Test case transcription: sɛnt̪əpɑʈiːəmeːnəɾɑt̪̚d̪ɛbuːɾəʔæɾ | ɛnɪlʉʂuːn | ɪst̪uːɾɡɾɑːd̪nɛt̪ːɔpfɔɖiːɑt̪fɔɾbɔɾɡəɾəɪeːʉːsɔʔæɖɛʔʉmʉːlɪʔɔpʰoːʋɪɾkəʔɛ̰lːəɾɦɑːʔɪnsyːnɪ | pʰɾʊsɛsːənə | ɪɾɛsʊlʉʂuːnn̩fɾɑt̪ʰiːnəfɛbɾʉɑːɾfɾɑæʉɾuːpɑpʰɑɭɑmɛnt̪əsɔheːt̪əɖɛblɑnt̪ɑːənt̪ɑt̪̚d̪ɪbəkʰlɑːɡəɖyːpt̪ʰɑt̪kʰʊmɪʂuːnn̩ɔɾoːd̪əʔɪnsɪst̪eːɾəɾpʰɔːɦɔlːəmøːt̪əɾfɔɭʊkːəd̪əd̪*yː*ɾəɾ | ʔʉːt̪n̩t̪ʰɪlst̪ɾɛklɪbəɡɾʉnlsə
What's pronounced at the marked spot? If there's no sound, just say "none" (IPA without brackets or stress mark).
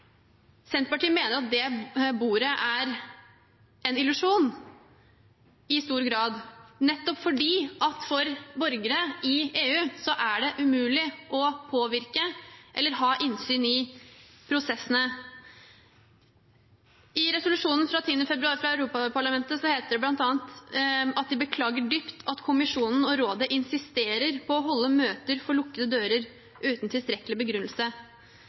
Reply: øː